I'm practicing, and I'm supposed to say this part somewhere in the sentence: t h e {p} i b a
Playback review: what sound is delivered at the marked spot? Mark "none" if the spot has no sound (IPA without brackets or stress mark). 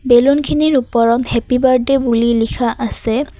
p